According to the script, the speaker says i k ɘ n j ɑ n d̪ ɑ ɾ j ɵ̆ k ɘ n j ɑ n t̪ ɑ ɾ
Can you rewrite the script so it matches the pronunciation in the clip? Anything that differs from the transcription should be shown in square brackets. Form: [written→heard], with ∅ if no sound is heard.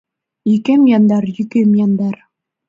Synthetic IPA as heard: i k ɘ [n→m] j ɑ n d̪ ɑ ɾ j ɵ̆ k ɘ [n→m] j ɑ n [t̪→d̪] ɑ ɾ